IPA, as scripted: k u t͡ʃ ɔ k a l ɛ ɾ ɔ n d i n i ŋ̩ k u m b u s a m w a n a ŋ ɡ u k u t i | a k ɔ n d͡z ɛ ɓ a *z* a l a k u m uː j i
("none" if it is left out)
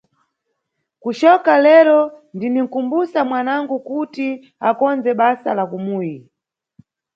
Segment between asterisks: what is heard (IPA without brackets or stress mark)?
s